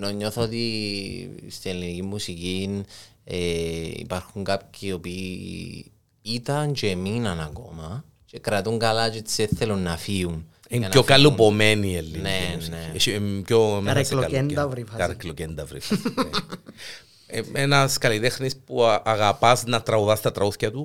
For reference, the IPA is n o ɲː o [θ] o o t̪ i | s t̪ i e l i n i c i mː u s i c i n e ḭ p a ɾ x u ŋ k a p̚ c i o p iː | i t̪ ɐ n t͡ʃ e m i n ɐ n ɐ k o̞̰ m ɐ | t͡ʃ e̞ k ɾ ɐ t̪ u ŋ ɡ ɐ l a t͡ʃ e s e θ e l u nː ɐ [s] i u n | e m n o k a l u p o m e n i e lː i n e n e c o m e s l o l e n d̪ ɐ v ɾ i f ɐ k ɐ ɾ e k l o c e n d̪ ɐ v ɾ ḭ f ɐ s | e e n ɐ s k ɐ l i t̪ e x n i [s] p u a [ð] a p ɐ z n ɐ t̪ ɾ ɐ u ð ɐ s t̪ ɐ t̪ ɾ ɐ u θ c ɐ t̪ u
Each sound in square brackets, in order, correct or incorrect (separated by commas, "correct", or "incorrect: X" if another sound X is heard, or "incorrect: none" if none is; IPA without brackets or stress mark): correct, incorrect: f, correct, incorrect: ɣ